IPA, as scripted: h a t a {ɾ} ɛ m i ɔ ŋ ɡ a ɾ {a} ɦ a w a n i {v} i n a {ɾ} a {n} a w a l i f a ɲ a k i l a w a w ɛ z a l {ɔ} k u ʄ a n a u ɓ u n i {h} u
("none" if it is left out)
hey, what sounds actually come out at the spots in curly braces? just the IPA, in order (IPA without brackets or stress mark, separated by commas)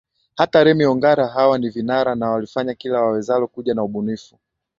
ɾ, a, v, ɾ, n, ɔ, f